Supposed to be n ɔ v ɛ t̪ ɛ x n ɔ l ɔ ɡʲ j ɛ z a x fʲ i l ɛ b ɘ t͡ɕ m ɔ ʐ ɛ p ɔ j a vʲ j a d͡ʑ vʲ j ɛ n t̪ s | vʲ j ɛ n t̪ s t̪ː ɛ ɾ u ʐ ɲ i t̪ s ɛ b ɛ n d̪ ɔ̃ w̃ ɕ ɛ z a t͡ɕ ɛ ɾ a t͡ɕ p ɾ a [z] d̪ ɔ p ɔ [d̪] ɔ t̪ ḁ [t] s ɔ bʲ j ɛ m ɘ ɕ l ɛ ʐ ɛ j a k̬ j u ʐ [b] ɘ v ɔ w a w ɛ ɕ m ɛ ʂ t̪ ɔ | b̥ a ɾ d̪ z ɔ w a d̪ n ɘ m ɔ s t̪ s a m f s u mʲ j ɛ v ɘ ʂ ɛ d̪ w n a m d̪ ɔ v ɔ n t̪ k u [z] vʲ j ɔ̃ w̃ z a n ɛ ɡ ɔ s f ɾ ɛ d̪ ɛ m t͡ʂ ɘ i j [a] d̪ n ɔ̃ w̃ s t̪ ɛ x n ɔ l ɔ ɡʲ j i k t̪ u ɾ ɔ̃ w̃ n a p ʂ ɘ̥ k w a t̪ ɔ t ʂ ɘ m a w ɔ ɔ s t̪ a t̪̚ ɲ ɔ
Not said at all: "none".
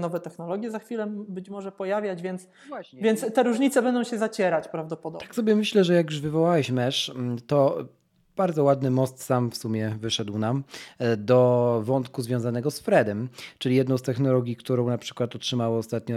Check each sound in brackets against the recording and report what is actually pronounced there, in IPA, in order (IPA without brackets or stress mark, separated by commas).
v, d̪, k, v, z, ɛ